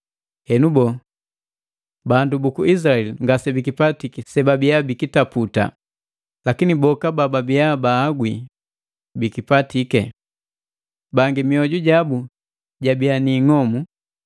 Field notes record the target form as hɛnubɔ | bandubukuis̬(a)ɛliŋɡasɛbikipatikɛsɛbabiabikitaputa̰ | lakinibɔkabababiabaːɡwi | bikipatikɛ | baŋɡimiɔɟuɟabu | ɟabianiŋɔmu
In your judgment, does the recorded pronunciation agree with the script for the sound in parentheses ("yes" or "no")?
yes